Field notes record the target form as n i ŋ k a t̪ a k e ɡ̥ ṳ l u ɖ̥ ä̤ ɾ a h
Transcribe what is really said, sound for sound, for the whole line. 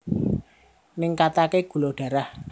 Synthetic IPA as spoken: n ɪ ŋ k a t̪ a k e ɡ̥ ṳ l o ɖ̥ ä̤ ɾ a h